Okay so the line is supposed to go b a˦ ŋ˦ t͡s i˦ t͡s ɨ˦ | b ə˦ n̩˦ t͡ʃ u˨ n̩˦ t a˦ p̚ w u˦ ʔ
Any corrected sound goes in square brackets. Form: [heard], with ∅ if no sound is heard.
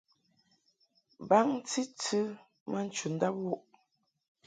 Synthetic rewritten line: b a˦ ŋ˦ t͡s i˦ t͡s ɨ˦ | [m] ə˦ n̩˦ t͡ʃ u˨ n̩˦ [d] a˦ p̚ w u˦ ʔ